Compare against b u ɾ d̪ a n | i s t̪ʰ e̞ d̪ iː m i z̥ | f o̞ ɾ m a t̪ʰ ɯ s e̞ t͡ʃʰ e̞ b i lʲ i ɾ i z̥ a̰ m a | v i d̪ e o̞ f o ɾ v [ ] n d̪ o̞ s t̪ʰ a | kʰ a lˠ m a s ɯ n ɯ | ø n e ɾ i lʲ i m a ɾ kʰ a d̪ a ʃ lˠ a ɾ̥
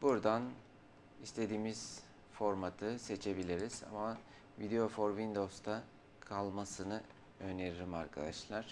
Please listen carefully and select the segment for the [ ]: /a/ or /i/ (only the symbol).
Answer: i